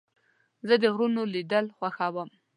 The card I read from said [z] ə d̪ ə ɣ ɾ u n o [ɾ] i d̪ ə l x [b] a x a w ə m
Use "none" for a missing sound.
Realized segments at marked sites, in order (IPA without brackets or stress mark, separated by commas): z, l, w